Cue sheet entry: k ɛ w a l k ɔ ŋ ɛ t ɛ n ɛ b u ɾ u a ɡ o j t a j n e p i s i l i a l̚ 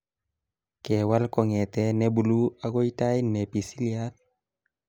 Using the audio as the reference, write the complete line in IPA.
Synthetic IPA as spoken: k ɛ w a l k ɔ ŋ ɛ t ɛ n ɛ b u l u a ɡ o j t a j n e p i s i l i a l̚